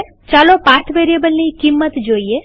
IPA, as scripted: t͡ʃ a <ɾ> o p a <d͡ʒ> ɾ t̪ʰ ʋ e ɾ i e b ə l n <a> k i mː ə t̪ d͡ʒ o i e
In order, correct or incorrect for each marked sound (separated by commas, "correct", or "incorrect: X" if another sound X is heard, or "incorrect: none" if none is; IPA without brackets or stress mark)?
incorrect: l, incorrect: none, incorrect: i